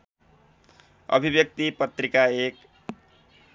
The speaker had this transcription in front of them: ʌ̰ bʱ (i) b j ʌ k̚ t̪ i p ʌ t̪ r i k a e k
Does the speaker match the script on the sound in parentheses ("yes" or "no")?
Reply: yes